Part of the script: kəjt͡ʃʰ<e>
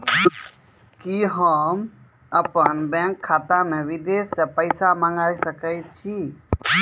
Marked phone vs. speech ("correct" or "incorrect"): incorrect